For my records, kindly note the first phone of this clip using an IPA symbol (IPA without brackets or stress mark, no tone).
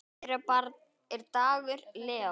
ɾ